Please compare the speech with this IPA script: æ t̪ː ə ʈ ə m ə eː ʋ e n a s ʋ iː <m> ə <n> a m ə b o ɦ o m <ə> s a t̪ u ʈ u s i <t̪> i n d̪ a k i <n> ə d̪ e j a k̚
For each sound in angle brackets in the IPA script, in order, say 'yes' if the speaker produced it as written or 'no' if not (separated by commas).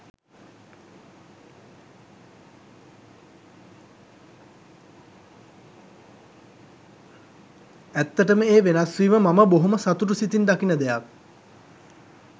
yes, no, yes, yes, yes